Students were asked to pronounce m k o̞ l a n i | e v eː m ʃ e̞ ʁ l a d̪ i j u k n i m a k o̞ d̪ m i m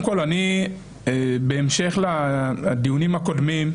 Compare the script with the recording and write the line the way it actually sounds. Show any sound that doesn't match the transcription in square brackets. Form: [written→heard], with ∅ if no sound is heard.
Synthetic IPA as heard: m k o̞ l a n i | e [v→b] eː m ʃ e̞ [ʁ→χ] l a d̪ i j u [k→∅] n i m a k o̞ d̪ m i m